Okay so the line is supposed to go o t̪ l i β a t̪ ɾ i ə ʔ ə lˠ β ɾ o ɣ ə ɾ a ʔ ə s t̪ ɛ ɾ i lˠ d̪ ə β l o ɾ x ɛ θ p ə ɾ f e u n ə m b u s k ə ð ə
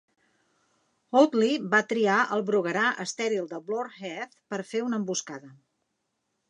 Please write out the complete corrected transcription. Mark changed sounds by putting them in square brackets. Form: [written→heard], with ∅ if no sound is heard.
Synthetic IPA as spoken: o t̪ l i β a t̪ ɾ i [ə→a] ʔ ə lˠ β ɾ [o→u] ɣ ə ɾ a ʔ ə s t̪ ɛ ɾ i lˠ d̪ ə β l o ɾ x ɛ θ p ə ɾ f e u n ə m b u s k [ə→a] ð ə